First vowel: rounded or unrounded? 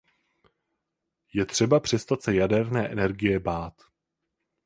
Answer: unrounded